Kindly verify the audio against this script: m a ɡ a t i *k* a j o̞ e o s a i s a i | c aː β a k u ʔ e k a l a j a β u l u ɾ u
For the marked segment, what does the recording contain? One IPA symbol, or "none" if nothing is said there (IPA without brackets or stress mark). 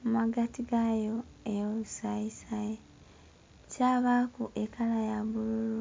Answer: ɡ